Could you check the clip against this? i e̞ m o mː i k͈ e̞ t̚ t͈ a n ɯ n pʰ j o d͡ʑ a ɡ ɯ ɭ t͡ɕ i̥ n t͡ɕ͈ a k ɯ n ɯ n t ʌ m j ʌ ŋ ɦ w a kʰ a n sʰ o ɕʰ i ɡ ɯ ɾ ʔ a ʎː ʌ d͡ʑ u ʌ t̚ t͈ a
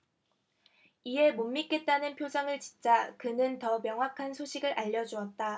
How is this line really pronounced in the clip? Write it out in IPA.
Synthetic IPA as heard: i e̞ m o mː i k͈ e̞ t̚ t͈ a n ɯ n pʰ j o d͡ʑ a ŋ ɯ ɭ t͡ɕ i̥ n t͡ɕ͈ a k ɯ n ɯ n t ʌ m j ʌ ŋ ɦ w a kʰ a n sʰ o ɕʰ i ɡ ɯ ɾ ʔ a ʎː ʌ d͡ʑ u ʌ t̚ t͈ a

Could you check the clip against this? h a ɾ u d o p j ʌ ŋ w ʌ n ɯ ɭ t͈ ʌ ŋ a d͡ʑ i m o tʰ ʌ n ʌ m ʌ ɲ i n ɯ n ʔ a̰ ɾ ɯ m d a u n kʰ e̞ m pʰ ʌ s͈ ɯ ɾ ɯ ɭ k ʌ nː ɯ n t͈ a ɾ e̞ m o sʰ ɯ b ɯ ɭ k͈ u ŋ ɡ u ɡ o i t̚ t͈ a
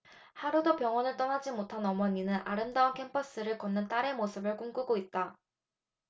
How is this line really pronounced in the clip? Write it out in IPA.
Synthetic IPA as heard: h a ɾ u d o p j ʌ ŋ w ʌ n ɯ ɭ t͈ ʌ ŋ a d͡ʑ i m o tʰ a n ʌ m ʌ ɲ i n ɯ n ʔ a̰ ɾ ɯ m d a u n kʰ e̞ m pʰ ʌ s͈ ɯ ɾ ɯ ɭ k ʌ nː ɯ n t͈ a ɾ e̞ m o sʰ ɯ b ɯ ɭ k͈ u ŋ ɡ u ɡ o i t̚ t͈ a

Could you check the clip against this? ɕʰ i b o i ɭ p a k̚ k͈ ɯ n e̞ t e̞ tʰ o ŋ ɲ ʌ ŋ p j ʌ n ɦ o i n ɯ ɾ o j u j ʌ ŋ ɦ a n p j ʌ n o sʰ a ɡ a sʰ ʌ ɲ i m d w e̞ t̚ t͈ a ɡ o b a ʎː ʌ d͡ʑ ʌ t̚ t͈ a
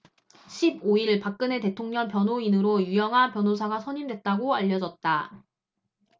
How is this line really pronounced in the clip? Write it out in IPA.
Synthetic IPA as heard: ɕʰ i b o i ɭ p a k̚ k͈ ɯ n e̞ t e̞ tʰ o ŋ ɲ ʌ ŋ p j ʌ n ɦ o i n ɯ ɾ o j u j ʌ ŋ ɦ a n p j ʌ n o sʰ a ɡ a sʰ ʌ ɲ i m d w e̞ t̚ t͈ a ɡ o a ʎː ʌ d͡ʑ ʌ t̚ t͈ a

